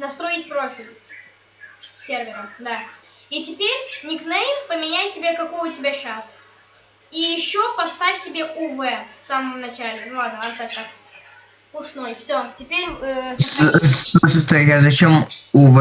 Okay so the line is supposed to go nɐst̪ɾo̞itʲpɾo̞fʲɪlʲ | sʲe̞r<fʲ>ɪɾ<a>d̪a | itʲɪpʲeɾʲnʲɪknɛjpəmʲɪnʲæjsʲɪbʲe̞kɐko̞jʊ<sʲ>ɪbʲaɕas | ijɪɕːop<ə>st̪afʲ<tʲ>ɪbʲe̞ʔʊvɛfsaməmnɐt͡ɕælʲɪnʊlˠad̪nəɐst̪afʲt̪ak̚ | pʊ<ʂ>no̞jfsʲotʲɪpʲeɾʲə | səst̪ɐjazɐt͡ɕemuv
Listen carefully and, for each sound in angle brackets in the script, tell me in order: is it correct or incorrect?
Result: incorrect, incorrect, incorrect, incorrect, incorrect, correct

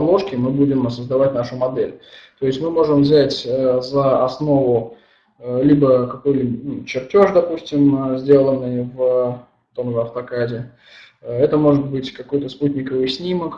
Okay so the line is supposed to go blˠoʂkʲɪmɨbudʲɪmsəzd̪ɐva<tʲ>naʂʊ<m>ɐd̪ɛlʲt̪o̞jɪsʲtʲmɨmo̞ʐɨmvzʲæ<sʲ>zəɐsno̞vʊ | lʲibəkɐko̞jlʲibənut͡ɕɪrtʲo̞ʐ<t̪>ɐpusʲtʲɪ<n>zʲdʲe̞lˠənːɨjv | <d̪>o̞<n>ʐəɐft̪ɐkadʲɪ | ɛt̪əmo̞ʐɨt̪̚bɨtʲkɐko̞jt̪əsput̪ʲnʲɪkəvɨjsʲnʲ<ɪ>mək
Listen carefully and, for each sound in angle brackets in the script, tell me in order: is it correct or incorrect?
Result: correct, correct, incorrect, incorrect, incorrect, incorrect, incorrect, incorrect

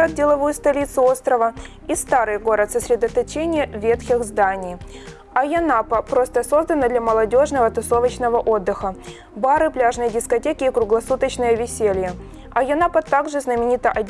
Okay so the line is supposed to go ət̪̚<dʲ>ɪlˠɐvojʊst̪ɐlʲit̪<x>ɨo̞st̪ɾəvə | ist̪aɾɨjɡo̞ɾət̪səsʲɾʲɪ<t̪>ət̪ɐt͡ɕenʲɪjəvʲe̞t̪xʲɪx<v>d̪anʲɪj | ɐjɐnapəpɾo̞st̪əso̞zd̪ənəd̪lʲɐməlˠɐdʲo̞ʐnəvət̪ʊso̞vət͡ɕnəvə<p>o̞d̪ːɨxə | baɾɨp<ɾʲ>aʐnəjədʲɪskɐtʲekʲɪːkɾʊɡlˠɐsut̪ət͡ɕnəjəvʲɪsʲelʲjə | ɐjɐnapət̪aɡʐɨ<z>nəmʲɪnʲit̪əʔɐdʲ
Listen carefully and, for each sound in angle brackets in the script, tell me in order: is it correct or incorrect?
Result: correct, incorrect, incorrect, incorrect, incorrect, incorrect, correct

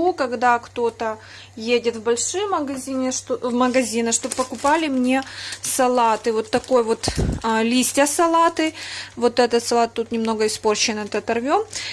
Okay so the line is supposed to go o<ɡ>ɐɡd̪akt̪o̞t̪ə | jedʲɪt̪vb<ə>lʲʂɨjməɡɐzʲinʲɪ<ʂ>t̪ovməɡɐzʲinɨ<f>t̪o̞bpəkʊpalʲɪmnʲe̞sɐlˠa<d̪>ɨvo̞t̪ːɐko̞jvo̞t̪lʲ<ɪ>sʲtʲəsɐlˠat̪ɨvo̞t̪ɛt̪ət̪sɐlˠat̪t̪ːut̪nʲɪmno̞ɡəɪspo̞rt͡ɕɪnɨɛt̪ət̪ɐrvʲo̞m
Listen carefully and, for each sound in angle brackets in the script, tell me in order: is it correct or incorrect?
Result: incorrect, incorrect, correct, incorrect, incorrect, incorrect

